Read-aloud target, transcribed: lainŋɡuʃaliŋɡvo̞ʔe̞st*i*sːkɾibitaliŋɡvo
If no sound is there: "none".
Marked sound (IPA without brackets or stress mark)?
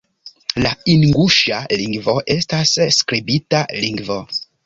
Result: a